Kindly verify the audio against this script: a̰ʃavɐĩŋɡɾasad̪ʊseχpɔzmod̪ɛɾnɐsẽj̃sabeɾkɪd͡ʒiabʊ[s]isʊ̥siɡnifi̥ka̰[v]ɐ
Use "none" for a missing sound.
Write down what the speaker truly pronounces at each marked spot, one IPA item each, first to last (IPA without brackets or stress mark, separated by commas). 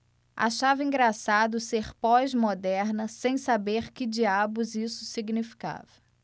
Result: z, v